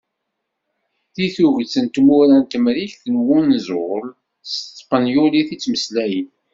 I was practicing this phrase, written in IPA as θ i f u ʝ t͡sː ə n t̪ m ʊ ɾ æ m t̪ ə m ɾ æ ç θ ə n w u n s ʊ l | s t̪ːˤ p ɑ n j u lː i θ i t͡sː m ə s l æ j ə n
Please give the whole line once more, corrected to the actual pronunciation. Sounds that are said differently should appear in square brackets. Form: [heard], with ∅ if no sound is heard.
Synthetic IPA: θ i [θ] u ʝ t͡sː ə n t̪ m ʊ ɾ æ [n] t̪ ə m ɾ [i] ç θ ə n w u n [z] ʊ l | s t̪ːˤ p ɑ n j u [l] i θ i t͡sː m ə s l æ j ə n